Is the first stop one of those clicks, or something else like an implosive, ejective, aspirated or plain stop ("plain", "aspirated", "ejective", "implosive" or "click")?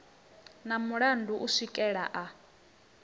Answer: plain